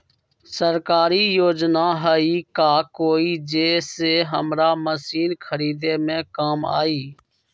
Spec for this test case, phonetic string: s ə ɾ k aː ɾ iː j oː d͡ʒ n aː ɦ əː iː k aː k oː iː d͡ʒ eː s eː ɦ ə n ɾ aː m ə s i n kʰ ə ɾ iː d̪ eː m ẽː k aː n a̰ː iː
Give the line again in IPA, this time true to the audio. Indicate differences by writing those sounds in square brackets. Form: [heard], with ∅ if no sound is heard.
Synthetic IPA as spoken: s ə ɾ k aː ɾ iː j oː d͡ʒ n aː ɦ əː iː k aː k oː iː d͡ʒ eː s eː ɦ ə [m] ɾ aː m ə s [iː] n kʰ ə ɾ iː d̪ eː m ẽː k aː [m] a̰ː iː